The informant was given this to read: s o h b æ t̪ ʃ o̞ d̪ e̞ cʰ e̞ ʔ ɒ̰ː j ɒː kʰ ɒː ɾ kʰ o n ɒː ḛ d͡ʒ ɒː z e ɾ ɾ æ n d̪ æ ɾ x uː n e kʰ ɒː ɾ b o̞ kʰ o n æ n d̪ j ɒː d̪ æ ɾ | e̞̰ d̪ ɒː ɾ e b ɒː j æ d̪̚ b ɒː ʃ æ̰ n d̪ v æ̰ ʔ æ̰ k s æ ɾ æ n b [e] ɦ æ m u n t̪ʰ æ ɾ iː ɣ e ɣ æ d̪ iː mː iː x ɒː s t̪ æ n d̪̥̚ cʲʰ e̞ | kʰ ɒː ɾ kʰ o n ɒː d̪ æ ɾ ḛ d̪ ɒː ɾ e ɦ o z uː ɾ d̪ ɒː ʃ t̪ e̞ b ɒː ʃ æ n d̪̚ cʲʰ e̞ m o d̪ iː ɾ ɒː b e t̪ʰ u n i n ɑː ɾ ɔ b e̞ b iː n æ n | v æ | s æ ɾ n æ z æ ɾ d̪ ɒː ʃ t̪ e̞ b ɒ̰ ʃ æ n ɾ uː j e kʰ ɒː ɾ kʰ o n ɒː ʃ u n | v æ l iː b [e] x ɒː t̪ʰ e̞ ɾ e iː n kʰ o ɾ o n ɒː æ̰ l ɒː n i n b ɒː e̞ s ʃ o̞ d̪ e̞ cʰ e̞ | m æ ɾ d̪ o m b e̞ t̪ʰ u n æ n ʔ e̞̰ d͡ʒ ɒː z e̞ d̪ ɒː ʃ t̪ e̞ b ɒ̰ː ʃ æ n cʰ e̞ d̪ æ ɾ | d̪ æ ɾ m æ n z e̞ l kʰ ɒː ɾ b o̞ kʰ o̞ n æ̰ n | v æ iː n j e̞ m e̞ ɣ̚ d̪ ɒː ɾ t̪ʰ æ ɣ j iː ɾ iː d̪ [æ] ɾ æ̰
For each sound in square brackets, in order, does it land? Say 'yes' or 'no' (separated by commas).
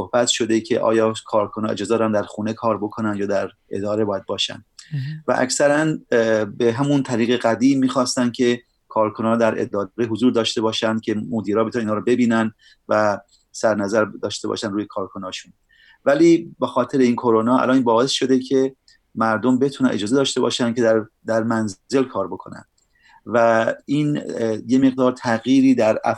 yes, yes, yes